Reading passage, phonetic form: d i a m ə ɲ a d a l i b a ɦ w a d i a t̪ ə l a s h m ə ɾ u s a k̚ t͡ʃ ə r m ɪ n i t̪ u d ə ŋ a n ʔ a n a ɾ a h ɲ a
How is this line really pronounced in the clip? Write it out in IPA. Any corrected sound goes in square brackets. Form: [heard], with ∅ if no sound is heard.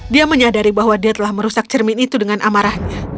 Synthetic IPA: d i a m ə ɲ a d a [ɾ] i b a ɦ w a d i a t̪ ə l a [∅] h m ə ɾ u s a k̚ t͡ʃ ə r m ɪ n i t̪ u d ə ŋ a n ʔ a [m] a ɾ a h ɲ a

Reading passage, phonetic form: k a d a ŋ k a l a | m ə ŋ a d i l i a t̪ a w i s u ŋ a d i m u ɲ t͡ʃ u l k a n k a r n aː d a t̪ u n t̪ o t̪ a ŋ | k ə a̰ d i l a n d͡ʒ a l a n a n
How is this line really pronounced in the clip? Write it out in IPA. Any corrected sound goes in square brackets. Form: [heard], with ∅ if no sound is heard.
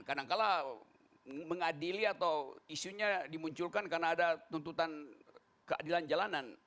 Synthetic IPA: k a d a ŋ k a l a | m ə ŋ a d i l i a t̪ a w i s u [ɲ] a d i m u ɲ t͡ʃ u l k a n k a r n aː d a t̪ u n t̪ [u] t̪ a [n] | k ə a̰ d i l a n d͡ʒ a l a n a n

